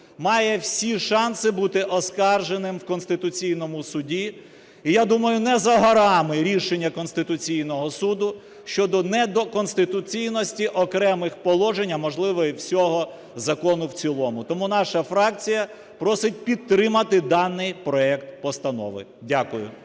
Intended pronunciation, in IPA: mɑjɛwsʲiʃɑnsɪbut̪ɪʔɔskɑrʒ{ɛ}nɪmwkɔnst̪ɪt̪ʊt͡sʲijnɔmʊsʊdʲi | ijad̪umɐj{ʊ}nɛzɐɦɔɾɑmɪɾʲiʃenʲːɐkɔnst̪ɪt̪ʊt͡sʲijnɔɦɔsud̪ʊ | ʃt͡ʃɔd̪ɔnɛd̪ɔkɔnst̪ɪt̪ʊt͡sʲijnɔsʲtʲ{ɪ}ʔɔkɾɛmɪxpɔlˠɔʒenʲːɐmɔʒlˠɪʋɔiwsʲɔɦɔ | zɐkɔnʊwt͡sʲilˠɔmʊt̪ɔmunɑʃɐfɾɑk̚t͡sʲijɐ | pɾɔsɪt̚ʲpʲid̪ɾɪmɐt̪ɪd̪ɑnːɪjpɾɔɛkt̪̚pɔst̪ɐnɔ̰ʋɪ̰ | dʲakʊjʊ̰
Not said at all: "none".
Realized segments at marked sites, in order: e, ʊ, i

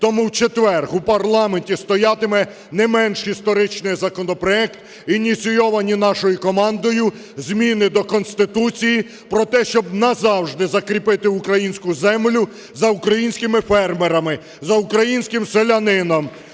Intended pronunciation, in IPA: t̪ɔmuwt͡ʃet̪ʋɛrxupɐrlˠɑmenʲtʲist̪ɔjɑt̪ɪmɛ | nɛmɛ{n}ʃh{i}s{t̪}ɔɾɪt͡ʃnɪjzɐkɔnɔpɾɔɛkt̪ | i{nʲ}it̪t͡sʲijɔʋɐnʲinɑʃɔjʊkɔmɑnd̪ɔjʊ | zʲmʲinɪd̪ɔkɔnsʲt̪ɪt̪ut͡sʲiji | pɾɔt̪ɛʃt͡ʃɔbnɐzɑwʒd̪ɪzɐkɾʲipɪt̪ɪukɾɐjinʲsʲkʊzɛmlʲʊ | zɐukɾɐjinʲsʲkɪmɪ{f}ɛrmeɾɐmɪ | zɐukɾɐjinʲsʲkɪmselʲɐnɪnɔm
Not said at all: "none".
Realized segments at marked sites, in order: n, i, t̪, nʲ, f

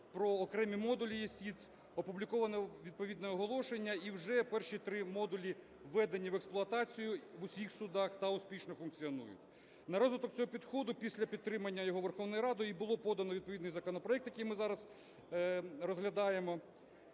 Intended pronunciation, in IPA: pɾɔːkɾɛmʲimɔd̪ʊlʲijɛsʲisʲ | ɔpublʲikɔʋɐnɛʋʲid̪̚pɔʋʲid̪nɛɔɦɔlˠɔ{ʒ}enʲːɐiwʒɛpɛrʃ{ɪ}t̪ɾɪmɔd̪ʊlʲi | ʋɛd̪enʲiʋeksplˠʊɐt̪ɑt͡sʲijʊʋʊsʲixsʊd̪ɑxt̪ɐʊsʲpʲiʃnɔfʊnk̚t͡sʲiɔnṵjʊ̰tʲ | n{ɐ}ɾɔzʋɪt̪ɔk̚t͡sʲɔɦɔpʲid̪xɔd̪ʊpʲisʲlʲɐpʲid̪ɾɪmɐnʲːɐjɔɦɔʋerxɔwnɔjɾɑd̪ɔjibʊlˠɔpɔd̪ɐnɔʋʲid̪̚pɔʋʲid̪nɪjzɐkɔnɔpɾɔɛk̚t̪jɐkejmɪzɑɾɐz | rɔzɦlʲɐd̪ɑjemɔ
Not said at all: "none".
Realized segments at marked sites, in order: ʃ, i, ɐ

